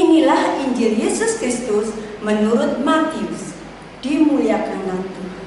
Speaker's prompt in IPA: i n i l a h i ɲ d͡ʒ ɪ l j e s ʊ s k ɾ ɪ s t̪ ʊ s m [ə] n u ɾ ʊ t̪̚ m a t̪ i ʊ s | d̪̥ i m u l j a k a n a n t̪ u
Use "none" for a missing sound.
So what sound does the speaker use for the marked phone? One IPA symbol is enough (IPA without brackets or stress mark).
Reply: ə